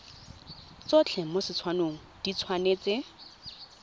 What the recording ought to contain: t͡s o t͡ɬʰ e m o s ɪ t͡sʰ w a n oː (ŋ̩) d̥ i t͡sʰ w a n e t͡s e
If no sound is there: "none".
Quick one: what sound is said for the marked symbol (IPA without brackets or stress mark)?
ŋ̩